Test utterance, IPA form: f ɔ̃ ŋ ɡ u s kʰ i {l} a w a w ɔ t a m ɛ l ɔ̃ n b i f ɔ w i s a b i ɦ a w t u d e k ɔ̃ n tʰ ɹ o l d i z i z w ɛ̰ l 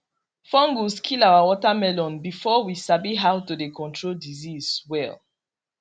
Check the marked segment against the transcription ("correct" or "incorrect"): correct